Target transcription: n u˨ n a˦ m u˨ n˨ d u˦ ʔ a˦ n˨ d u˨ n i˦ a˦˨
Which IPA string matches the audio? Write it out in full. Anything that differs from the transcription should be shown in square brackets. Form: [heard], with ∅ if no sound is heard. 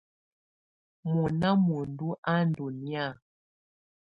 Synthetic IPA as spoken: [m] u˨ n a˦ m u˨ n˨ d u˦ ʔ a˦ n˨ d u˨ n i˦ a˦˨